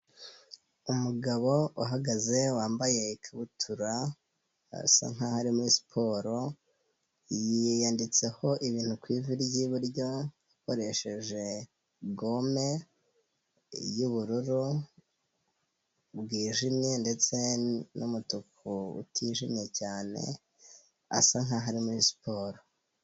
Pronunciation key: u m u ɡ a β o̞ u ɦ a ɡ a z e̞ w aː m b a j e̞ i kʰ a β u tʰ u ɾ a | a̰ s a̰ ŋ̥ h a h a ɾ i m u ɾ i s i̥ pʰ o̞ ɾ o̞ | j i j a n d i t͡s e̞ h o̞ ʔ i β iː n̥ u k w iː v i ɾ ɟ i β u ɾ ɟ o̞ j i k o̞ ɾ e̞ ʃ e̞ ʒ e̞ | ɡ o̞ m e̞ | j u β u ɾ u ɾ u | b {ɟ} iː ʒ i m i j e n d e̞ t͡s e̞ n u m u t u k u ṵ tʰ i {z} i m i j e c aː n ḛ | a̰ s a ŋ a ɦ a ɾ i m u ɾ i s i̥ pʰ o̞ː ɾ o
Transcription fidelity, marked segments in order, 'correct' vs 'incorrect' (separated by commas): incorrect, incorrect